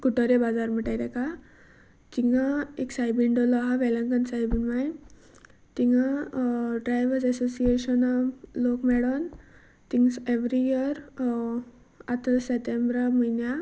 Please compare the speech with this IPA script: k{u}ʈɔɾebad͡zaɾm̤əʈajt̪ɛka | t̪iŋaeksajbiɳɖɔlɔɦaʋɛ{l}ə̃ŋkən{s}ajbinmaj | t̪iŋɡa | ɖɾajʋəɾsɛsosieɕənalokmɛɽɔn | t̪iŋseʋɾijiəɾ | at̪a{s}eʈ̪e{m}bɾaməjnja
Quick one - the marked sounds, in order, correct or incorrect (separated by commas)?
correct, correct, correct, correct, correct